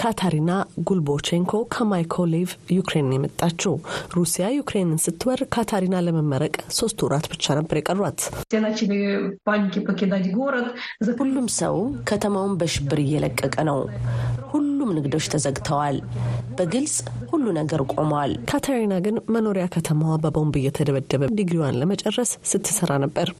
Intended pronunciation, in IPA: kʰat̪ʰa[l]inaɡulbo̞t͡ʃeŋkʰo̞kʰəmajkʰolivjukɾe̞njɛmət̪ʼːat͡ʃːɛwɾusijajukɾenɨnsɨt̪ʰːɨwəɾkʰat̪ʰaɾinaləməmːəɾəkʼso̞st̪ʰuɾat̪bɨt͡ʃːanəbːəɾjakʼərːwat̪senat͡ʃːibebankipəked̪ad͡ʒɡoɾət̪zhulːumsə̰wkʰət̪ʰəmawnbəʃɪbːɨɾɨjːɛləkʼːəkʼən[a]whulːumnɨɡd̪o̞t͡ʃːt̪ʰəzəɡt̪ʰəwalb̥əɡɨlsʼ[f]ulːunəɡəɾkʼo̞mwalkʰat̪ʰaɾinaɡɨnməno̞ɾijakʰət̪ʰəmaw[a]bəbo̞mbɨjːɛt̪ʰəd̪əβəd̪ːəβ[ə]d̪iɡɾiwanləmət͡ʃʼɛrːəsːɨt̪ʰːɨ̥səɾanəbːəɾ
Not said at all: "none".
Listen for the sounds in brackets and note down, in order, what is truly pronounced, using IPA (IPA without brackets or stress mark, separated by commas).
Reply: ɾ, ə, h, a, ə